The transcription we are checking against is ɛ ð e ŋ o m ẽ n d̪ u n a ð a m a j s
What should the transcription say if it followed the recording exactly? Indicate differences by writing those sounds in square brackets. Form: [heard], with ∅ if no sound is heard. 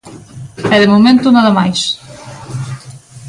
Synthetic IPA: ɛ ð e [m] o m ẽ n [t̪] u n a ð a m a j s